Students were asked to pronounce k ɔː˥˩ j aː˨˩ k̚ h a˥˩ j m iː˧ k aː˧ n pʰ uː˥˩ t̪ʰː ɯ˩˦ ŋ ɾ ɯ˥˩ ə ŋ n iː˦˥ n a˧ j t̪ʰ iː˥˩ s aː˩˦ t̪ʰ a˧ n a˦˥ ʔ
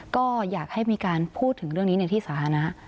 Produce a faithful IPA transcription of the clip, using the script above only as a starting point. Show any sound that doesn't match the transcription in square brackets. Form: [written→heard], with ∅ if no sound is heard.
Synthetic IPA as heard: k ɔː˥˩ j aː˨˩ k̚ h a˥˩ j m iː˧ k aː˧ n pʰ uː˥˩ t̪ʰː ɯ˩˦ ŋ ɾ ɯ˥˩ ə ŋ n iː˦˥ n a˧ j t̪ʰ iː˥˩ s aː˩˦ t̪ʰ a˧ n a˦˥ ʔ